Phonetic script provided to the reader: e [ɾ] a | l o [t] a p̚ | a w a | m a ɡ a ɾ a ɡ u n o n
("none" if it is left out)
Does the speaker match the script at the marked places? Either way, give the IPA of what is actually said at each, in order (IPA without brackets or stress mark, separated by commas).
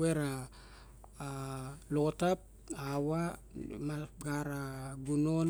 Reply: ɾ, t